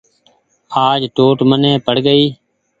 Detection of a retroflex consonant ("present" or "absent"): present